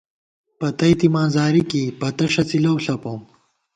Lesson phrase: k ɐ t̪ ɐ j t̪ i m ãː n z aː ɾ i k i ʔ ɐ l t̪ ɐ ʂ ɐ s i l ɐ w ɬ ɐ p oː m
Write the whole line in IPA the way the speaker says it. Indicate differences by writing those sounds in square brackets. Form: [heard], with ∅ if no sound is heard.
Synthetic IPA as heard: [p] ɐ t̪ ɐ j t̪ i m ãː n z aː ɾ i k i [p] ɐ [∅] t̪ ɐ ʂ ɐ [t͡s] i l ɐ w ɬ ɐ p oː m